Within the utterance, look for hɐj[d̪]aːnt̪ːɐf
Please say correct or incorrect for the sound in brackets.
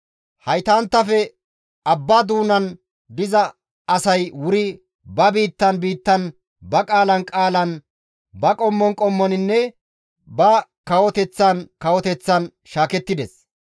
incorrect